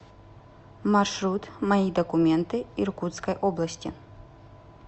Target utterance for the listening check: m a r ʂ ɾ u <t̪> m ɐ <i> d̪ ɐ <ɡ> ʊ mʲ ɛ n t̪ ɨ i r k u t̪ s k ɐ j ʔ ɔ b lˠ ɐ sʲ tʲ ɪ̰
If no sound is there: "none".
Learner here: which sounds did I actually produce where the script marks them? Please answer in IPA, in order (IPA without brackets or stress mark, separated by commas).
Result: t̪, i, k